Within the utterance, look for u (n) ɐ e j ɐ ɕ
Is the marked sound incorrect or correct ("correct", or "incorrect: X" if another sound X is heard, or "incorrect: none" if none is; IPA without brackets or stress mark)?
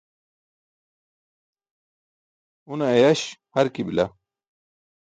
correct